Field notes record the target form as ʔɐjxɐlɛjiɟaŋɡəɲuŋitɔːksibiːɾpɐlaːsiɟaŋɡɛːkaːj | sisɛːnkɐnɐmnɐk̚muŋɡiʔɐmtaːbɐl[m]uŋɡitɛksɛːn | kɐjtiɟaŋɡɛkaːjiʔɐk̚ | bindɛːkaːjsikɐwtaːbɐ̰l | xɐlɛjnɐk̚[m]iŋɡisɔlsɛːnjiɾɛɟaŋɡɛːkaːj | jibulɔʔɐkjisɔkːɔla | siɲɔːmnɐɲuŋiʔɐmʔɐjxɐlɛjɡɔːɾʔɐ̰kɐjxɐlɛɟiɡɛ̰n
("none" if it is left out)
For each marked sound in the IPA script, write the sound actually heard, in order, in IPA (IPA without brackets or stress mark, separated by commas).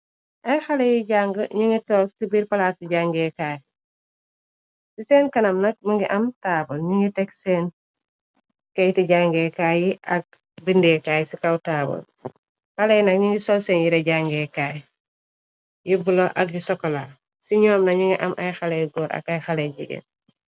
ɲ, ɲ